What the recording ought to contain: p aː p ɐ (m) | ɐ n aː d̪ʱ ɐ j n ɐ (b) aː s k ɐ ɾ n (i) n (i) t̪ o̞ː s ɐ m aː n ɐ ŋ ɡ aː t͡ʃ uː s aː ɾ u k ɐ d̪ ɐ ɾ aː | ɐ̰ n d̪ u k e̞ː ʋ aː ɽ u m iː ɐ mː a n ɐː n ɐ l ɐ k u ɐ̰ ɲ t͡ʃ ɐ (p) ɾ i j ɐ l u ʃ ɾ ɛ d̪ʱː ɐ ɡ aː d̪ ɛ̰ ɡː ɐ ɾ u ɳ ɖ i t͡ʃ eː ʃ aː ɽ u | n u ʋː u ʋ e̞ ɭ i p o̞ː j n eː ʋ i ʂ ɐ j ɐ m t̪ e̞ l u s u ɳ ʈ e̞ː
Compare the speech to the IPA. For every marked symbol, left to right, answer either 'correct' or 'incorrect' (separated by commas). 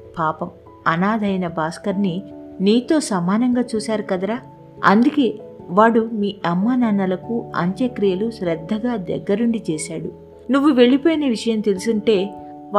correct, correct, correct, incorrect, incorrect